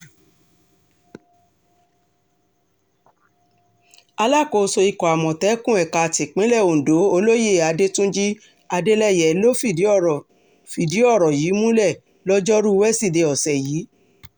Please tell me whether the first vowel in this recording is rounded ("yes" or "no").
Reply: no